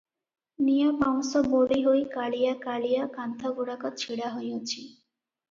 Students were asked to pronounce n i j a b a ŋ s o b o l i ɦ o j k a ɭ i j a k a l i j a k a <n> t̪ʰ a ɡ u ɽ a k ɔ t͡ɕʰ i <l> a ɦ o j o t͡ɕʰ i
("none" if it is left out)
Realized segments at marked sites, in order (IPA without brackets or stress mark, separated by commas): n, ɽ